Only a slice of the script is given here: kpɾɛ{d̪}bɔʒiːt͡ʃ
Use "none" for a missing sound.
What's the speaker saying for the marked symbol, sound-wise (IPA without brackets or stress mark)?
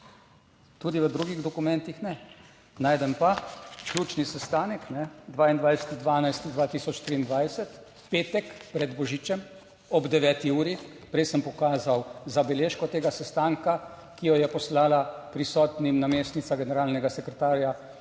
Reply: d̪